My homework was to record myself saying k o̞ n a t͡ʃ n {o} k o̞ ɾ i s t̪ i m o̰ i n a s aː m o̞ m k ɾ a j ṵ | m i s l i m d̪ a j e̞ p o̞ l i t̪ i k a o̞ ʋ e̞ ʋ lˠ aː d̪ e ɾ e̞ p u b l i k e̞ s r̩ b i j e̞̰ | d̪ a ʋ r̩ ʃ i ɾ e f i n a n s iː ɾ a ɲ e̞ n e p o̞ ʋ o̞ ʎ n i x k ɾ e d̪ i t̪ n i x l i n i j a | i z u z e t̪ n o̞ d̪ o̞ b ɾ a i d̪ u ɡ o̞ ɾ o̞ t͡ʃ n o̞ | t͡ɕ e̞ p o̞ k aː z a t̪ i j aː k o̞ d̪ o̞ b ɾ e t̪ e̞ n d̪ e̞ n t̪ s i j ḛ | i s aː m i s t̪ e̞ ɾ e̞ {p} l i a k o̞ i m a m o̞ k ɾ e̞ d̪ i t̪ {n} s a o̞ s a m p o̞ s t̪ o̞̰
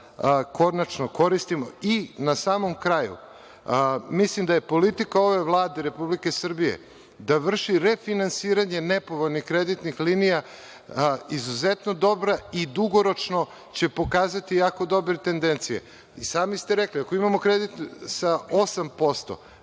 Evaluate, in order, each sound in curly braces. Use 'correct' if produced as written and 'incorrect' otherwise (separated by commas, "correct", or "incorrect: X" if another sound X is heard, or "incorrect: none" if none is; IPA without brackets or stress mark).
correct, incorrect: k, correct